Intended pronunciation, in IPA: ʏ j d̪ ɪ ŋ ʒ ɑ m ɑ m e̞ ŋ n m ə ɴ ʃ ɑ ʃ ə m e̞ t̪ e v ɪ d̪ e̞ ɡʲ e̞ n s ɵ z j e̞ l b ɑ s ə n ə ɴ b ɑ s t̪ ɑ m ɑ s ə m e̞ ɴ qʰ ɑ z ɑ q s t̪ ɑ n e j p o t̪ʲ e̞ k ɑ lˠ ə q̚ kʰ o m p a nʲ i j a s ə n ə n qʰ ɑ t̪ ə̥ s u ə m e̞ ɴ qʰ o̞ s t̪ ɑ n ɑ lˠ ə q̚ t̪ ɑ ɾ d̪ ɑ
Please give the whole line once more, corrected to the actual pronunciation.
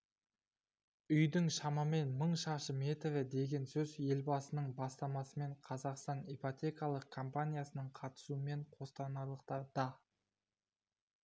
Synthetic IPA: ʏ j d̪ ɪ ŋ ʃ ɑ m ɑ m e̞ n m ə ɴ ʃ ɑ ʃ ə m e̞ t̪ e v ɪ d̪ e̞ ɡʲ e̞ n s ɵ z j e̞ l b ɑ s ə n ə ɴ b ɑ s t̪ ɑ m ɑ s ə m e̞ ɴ qʰ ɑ z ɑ q s t̪ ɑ n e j p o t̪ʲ e̞ k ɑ lˠ ə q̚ kʰ o m p a nʲ i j a s ə n ə ɴ qʰ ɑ t̪ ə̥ s u ə m e̞ ɴ qʰ o̞ s t̪ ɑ n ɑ lˠ ə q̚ t̪ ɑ ɾ d̪ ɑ